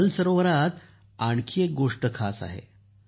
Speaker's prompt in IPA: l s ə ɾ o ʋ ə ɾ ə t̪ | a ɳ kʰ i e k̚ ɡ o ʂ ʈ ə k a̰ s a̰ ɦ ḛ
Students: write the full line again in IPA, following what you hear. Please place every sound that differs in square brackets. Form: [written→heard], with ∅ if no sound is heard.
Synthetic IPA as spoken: l s ə ɾ o ʋ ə ɾ [ə→a] t̪ | a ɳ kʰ i e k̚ ɡ o ʂ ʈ ə [k→kʰ] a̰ s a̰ ɦ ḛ